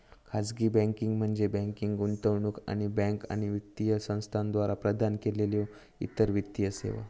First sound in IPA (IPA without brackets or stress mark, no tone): kʰ